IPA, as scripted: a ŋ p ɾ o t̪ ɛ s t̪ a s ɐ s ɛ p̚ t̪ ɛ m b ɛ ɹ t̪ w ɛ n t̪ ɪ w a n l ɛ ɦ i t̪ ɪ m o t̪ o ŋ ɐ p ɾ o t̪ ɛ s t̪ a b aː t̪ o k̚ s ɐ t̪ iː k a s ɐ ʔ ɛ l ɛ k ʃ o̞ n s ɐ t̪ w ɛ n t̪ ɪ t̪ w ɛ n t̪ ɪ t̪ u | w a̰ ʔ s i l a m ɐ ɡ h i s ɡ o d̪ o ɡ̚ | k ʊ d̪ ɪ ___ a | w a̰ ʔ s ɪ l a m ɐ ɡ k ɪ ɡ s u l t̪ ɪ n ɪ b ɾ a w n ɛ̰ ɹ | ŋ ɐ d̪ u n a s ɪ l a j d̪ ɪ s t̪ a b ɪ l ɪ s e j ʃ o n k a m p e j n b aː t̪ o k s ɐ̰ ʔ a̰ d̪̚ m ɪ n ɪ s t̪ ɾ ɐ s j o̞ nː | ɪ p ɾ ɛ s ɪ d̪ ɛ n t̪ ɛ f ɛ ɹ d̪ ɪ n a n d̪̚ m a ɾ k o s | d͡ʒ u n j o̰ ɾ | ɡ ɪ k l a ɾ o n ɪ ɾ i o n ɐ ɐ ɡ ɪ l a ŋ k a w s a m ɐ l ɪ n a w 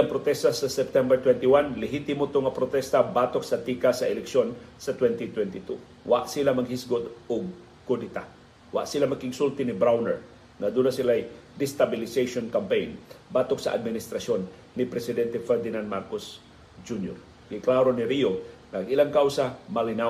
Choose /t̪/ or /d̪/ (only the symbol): t̪